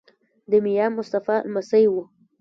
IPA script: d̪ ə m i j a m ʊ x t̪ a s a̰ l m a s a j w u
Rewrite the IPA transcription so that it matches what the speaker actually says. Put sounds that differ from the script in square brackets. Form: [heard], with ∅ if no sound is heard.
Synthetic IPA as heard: d̪ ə m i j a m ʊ [s] t̪ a [f] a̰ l m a s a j w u